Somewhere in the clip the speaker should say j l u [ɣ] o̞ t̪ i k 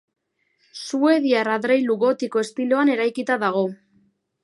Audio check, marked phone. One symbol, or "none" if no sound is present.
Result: ɣ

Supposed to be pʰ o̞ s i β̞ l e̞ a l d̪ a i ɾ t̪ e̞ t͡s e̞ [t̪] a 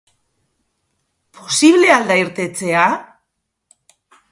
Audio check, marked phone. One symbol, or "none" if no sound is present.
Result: none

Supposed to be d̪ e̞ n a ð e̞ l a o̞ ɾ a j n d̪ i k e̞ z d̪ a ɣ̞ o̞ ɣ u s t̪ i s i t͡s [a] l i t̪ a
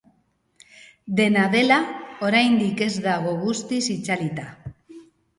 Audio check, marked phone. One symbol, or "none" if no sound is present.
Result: a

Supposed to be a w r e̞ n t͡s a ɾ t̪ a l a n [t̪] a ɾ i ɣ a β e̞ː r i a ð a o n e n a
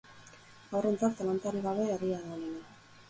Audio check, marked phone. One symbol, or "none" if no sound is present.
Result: t̪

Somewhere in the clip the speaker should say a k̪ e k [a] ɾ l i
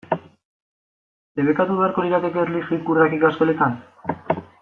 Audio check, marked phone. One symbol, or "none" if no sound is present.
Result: e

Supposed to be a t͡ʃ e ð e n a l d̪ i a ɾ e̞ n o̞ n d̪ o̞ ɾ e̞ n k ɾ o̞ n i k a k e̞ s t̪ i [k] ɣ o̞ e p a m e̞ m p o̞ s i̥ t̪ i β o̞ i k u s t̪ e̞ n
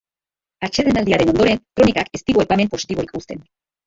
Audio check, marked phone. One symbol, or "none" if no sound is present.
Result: none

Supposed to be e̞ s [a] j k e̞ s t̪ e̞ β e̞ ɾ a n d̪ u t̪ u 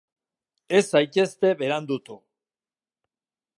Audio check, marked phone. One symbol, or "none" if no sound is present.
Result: a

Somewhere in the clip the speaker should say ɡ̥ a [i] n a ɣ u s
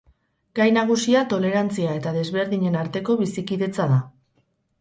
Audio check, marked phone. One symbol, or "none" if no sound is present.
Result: j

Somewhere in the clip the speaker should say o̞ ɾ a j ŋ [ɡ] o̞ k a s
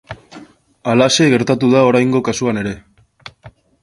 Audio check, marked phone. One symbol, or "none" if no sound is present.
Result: ɡ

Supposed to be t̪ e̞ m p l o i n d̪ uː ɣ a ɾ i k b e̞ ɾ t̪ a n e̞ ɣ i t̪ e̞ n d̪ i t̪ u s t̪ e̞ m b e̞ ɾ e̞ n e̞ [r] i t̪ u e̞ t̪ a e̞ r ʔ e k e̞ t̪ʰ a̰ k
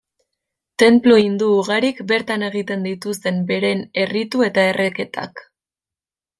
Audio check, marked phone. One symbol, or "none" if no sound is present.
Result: r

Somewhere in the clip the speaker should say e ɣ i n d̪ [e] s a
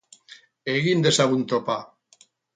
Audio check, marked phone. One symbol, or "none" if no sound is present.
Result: e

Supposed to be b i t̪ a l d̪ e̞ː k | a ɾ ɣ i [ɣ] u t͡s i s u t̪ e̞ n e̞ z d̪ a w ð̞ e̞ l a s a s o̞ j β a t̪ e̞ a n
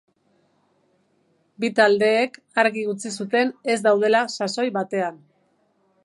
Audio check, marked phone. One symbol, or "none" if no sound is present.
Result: ɣ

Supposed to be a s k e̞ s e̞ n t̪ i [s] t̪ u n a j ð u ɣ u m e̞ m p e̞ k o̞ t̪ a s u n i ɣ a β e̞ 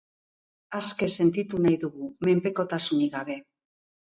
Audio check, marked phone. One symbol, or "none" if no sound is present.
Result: none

